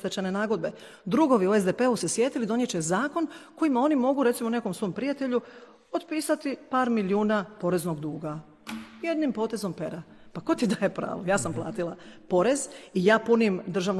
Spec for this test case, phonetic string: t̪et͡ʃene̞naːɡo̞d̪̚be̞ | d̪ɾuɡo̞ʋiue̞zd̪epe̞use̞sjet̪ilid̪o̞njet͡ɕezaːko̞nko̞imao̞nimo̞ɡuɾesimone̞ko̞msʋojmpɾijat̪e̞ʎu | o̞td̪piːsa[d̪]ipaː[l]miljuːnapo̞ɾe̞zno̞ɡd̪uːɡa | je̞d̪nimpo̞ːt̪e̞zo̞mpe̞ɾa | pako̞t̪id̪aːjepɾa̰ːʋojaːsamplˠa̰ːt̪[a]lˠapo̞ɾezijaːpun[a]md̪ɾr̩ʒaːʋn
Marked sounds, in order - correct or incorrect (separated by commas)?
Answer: incorrect, incorrect, incorrect, incorrect